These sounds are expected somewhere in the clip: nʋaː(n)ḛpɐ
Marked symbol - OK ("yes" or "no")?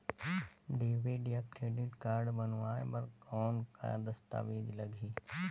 no